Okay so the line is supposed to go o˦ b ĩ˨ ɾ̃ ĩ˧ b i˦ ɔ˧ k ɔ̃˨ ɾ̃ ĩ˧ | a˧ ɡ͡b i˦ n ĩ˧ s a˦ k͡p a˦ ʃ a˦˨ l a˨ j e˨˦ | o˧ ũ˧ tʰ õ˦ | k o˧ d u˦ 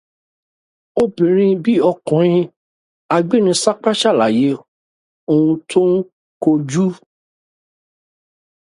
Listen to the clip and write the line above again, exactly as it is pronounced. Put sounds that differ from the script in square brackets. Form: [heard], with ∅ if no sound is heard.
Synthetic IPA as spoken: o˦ b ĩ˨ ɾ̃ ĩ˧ b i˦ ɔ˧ k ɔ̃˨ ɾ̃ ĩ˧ | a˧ ɡ͡b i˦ n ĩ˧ s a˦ k͡p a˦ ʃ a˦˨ l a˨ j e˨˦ | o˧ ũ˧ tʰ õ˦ | k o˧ [d͡ʒ] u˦